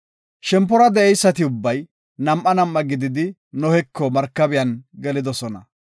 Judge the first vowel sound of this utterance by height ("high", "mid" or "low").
mid